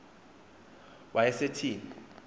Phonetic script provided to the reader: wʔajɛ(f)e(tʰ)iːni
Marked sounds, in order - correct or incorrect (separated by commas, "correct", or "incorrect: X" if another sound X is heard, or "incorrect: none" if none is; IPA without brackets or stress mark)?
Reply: incorrect: s, correct